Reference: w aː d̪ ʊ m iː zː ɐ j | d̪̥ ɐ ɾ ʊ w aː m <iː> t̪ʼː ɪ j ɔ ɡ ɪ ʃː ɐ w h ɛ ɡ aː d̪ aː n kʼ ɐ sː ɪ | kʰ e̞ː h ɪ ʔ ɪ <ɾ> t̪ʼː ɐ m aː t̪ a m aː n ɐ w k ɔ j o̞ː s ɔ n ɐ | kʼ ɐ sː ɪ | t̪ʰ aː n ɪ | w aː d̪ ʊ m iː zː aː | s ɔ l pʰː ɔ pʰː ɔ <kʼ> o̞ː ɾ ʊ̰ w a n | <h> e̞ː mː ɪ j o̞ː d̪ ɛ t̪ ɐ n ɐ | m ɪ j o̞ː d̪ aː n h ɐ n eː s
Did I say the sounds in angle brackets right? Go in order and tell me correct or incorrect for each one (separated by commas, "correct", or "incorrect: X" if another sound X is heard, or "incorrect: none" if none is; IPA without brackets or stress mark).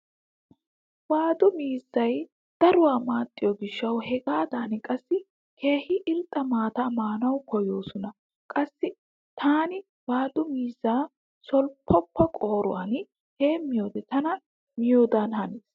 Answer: incorrect: aː, incorrect: l, correct, correct